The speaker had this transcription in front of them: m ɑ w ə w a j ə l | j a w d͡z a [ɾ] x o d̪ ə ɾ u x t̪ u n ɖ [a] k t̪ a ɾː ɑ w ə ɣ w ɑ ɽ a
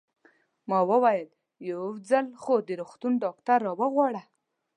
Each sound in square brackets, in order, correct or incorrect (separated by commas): incorrect, incorrect